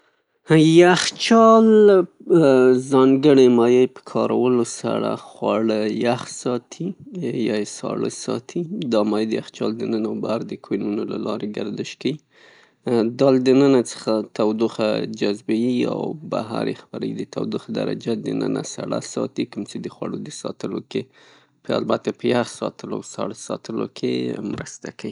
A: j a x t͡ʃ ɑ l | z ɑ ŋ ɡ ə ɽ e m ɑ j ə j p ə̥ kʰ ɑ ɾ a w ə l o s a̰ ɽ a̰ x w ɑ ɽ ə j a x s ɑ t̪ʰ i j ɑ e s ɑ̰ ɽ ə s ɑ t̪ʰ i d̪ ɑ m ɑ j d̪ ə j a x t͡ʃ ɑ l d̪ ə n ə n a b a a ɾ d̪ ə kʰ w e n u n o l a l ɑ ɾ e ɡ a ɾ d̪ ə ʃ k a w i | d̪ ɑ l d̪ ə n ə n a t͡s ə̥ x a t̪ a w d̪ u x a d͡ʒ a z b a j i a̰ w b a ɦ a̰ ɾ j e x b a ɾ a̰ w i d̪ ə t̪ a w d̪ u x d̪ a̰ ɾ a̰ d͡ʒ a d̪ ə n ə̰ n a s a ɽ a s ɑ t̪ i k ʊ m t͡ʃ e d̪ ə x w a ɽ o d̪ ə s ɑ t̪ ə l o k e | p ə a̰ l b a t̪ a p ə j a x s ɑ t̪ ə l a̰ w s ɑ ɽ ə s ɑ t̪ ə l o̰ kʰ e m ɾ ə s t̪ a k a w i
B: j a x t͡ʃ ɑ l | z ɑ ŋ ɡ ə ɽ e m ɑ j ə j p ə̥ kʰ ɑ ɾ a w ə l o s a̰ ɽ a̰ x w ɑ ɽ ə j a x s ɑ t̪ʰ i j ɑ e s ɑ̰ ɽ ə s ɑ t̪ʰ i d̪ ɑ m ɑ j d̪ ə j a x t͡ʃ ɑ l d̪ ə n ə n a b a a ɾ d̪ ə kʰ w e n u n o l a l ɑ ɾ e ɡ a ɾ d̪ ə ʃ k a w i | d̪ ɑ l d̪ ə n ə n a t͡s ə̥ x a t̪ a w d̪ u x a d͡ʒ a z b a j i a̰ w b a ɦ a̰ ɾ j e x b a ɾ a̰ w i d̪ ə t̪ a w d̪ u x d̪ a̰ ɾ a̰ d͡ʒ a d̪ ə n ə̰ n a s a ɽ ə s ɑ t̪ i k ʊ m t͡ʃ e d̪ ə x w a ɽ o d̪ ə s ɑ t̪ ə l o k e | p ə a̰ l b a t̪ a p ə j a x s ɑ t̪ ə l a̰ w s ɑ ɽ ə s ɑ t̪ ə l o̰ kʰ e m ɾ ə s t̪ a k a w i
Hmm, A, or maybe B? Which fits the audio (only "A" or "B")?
A